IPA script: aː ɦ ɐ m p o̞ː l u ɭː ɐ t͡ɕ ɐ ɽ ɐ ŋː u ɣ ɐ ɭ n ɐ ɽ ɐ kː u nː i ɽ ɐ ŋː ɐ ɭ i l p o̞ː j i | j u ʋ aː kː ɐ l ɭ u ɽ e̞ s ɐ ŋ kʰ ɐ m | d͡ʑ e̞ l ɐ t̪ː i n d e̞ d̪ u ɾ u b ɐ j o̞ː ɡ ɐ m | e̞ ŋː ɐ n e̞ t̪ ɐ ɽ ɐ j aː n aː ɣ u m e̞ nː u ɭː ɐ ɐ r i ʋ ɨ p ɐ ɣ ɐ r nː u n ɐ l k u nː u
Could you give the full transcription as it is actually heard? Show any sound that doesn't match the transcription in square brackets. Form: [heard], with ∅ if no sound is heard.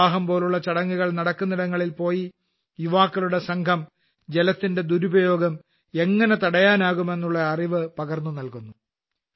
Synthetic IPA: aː ɦ ɐ m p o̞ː l u ɭː ɐ t͡ɕ ɐ ɽ ɐ ŋː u ɣ ɐ ɭ n ɐ ɽ ɐ kː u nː i ɽ ɐ ŋː ɐ ɭ i l p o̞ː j i | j u ʋ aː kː ɐ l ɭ u ɽ e̞ s ɐ ŋ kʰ ɐ m | d͡ʑ e̞ l ɐ t̪ː i n d e̞ d̪ u ɾ u b ɐ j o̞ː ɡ ɐ m | e̞ ŋː ɐ n e̞ t̪ ɐ ɽ ɐ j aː n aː ɣ u m e̞ nː u ɭː ɐ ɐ r i ʋ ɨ p ɐ ɣ ɐ r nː u n ɐ l k u nː u